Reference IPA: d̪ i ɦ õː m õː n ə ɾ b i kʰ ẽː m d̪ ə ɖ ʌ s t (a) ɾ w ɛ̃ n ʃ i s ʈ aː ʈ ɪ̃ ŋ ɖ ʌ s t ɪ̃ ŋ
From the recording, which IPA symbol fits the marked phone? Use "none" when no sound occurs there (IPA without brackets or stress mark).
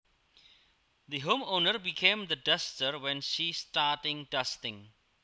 ə